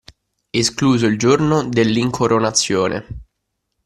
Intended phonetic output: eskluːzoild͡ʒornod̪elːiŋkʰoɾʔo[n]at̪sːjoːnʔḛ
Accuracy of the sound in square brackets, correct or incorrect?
correct